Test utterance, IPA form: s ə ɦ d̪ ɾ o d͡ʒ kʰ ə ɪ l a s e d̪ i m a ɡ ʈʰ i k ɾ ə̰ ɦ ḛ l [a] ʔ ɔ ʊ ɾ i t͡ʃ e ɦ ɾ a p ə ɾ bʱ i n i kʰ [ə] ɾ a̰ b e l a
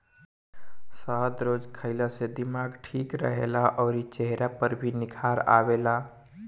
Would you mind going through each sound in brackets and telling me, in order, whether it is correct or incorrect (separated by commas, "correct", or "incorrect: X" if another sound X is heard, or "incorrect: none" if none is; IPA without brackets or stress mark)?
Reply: correct, incorrect: a